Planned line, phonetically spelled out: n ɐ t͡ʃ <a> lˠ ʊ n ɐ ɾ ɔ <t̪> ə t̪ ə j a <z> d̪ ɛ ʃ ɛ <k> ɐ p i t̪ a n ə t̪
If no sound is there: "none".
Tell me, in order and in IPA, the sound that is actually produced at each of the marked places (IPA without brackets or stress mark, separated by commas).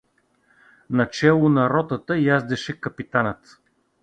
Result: ɛ, t̪, z, k